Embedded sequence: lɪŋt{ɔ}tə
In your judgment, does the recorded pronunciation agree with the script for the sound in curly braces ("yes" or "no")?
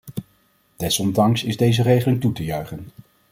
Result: no